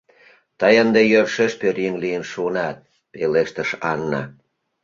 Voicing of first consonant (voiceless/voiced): voiceless